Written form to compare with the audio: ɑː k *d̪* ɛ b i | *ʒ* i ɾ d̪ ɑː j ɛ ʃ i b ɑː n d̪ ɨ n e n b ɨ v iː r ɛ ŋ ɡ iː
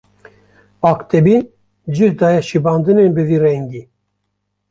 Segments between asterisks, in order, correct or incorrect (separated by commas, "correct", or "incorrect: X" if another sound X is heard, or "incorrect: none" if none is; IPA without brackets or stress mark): incorrect: t̪, incorrect: d͡ʒ